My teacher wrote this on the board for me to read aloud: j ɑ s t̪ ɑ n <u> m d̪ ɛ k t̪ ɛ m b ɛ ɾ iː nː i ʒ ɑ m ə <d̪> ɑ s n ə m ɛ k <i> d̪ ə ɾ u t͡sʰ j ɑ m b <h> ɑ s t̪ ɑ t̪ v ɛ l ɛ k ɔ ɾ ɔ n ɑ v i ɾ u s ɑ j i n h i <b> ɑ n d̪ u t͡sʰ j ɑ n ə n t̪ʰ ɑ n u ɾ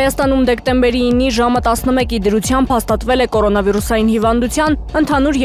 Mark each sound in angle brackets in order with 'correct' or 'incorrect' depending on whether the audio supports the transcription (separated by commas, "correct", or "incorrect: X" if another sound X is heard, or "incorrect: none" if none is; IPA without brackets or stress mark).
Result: correct, incorrect: t̪, correct, correct, incorrect: v